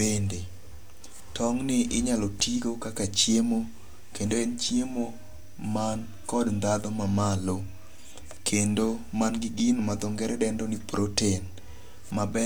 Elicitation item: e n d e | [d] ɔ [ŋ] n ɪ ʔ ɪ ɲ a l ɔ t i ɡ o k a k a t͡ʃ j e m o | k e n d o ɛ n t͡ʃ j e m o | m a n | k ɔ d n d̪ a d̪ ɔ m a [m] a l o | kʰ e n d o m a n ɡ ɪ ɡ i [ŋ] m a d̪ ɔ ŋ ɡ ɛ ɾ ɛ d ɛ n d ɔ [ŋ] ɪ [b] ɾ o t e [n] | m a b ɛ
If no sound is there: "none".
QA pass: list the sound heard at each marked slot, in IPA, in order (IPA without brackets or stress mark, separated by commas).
t, ŋ, m, n, n, p, n